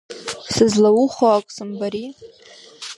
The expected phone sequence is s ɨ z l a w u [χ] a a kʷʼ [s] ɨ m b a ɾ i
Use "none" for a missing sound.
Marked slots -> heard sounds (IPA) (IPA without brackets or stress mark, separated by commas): χ, s